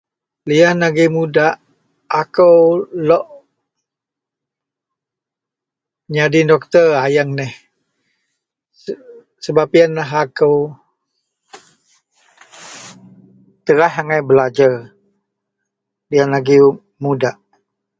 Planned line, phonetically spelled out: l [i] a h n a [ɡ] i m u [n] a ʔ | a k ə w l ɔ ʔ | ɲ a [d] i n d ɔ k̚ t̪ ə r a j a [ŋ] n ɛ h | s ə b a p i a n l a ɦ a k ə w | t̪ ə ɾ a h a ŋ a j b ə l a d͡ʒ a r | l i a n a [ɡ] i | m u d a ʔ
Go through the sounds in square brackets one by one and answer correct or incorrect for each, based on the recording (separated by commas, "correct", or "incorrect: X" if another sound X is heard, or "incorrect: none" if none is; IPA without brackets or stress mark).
correct, correct, incorrect: d, correct, correct, correct